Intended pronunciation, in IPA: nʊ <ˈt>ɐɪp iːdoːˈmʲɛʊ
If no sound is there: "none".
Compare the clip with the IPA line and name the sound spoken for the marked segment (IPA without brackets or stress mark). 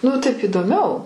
t